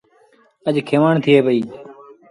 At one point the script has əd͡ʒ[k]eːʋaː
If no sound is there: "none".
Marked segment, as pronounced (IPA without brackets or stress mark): kʰ